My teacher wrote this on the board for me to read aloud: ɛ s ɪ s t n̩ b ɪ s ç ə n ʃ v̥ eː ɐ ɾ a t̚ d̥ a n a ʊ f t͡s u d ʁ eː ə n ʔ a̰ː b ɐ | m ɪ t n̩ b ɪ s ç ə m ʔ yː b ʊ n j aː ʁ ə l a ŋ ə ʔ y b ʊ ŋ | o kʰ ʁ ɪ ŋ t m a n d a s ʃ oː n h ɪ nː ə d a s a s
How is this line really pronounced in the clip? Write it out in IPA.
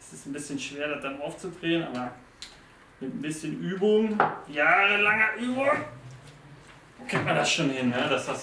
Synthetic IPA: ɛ s ɪ s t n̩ b ɪ s ç ə n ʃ v̥ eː ɐ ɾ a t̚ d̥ a n a ʊ f t͡s u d ʁ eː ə n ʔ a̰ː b ɐ | m ɪ t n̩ b ɪ s ç ə n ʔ yː b ʊ ŋ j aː ʁ ə l a ŋ ɐ ʔ yː b ʊ ŋ | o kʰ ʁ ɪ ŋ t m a n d a s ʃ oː n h ɪ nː ə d a s a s